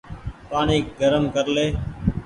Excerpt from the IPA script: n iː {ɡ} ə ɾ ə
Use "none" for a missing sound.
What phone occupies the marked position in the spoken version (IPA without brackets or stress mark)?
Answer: ɡ